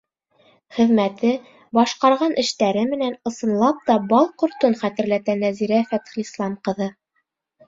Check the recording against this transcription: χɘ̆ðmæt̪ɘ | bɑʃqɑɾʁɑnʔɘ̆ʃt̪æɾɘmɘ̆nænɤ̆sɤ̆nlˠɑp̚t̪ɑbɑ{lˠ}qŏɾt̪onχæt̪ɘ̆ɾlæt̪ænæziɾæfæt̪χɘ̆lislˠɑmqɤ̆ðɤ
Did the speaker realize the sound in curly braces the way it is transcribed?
yes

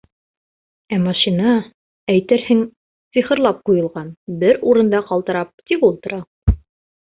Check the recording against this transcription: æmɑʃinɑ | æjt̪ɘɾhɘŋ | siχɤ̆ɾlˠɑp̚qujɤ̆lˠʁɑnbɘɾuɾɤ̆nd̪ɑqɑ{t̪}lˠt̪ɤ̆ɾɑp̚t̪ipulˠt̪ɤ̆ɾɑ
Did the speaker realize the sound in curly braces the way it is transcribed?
no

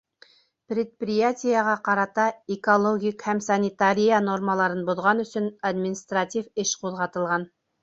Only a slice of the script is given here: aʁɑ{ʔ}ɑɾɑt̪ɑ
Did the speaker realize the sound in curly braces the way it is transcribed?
no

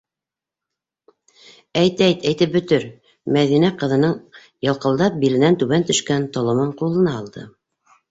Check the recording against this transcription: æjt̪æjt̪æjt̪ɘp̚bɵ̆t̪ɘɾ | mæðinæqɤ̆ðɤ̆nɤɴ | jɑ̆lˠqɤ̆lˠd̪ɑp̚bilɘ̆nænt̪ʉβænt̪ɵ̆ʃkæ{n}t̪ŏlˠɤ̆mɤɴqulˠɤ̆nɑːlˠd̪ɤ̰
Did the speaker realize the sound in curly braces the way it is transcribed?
yes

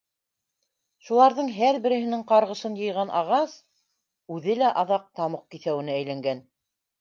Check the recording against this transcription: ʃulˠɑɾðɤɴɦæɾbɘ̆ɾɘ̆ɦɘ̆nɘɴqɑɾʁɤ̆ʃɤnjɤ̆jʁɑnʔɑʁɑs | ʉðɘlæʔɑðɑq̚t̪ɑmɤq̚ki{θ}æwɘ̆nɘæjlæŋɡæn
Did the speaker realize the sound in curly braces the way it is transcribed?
yes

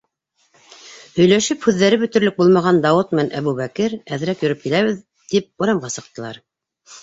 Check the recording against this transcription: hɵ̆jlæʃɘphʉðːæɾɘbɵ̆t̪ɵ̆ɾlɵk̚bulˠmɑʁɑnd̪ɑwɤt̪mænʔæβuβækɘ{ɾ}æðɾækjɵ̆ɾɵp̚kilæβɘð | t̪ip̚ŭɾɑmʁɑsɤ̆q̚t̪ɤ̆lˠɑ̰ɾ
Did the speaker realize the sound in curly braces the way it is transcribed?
yes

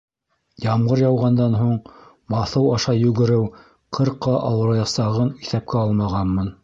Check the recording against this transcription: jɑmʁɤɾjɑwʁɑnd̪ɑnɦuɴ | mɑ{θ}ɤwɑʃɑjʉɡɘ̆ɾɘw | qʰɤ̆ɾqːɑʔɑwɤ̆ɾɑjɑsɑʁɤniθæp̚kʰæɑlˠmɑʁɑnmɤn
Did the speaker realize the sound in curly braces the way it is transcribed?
yes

